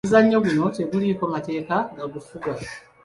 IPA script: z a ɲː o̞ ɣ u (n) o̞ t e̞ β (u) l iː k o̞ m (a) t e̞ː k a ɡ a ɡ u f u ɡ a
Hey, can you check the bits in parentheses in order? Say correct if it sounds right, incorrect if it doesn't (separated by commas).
correct, correct, correct